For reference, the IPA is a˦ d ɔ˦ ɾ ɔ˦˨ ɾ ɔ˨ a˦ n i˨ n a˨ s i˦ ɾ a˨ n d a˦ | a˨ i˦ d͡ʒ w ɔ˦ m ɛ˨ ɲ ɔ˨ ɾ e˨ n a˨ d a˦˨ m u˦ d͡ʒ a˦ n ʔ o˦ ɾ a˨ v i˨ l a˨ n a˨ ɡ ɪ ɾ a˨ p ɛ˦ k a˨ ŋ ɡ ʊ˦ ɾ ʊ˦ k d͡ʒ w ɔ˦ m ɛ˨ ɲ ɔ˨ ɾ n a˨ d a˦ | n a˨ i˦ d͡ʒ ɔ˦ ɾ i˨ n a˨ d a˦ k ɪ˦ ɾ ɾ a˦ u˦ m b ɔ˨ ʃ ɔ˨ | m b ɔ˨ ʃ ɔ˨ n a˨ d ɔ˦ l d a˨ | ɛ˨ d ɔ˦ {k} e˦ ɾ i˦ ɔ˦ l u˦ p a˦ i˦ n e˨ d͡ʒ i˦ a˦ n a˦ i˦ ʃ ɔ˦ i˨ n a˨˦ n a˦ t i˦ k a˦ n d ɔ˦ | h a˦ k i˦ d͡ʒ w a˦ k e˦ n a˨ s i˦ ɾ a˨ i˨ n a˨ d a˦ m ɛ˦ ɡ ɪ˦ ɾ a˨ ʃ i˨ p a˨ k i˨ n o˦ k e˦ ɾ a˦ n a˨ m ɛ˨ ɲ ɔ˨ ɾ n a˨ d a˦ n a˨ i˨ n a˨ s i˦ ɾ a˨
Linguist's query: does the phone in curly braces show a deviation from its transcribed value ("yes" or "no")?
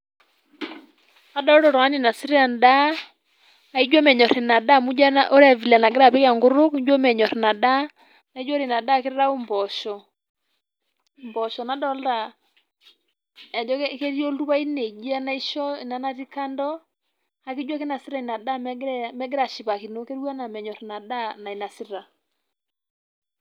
no